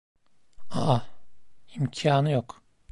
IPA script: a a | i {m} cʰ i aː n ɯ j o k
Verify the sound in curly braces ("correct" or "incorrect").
correct